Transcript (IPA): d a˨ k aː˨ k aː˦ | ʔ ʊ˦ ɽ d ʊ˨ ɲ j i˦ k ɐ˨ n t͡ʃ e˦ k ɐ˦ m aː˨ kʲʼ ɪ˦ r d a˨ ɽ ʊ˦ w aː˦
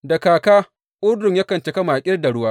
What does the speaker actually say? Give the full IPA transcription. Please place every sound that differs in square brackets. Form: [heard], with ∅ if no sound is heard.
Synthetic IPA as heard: d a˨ k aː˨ k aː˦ | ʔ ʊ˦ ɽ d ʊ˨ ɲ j [a˦] k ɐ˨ n t͡ʃ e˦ k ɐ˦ m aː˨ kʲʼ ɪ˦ r d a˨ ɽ ʊ˦ w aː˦